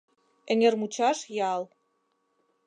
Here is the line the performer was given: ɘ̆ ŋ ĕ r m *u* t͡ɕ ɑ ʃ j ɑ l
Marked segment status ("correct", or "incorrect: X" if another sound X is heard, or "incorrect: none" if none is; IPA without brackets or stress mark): correct